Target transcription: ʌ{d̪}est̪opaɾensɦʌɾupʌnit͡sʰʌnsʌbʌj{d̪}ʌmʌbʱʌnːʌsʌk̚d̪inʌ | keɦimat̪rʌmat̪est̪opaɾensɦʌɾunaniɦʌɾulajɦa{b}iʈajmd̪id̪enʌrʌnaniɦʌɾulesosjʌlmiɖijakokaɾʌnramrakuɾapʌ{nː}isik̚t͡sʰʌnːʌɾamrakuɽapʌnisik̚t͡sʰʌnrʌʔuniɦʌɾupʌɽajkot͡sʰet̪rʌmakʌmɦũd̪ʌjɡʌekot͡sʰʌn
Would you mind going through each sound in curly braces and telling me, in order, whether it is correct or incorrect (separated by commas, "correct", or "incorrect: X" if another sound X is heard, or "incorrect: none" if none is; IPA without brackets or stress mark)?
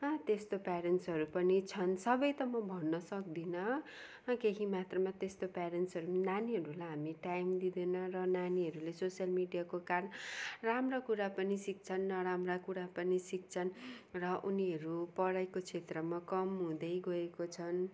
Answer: incorrect: t̪, incorrect: t̪, incorrect: m, incorrect: n